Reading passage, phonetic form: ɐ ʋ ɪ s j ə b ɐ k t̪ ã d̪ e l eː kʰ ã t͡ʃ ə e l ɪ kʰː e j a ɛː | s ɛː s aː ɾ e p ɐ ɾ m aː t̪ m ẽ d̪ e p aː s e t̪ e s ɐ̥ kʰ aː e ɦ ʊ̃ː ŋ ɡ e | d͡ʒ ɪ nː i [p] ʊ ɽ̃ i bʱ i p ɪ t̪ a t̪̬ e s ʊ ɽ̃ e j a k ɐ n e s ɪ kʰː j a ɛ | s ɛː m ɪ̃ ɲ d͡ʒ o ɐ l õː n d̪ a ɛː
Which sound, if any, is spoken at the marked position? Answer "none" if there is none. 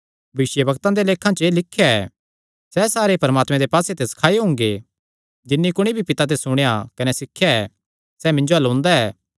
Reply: k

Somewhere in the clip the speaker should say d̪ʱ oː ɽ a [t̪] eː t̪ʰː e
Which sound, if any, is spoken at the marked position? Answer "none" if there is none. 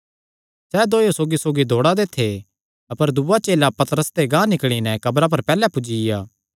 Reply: d̪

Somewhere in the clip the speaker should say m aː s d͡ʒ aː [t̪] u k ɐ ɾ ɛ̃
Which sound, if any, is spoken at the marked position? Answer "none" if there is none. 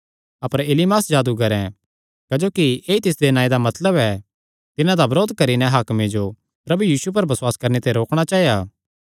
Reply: d̪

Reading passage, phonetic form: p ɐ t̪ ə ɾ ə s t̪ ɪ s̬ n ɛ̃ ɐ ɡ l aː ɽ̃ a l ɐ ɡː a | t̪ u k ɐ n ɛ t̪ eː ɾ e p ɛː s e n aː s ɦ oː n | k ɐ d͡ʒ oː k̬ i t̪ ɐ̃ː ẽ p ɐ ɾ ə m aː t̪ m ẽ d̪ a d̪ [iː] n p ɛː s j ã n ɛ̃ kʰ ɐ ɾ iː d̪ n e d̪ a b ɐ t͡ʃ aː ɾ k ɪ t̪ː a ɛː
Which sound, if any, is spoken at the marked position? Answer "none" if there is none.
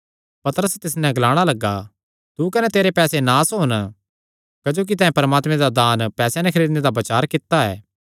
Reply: aː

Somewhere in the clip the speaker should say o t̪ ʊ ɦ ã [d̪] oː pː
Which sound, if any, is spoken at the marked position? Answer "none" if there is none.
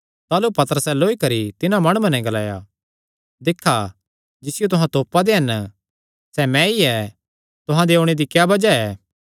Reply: t̪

